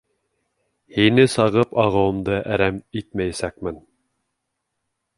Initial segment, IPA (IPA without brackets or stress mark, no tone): h